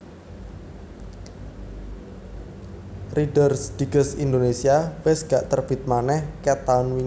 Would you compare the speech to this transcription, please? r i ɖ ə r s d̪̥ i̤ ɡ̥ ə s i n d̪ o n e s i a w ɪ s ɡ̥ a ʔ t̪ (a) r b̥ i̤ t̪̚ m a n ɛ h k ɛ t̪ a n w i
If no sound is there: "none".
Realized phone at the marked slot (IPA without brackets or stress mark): ə